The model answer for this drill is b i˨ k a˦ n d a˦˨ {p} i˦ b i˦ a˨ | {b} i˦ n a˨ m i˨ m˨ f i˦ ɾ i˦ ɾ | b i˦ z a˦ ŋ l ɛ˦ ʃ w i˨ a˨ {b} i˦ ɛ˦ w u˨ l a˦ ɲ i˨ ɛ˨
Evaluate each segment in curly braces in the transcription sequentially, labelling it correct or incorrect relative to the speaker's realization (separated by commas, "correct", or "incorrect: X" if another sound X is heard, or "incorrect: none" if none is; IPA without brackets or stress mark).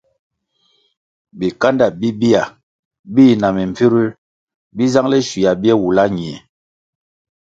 incorrect: b, correct, correct